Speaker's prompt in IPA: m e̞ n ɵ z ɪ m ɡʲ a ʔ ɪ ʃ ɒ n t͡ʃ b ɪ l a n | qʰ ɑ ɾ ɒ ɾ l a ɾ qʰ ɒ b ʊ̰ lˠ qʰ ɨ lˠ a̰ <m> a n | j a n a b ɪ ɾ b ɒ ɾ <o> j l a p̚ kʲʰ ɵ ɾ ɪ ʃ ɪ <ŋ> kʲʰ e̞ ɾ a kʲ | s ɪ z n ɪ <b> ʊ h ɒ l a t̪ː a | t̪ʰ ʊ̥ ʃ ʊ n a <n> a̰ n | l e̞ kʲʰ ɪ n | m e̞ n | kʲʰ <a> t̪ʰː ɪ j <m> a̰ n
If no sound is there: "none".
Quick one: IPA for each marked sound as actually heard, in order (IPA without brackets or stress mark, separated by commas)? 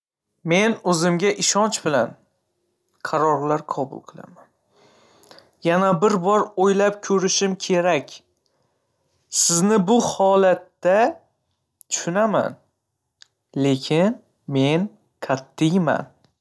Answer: m, o, m, b, m, a, m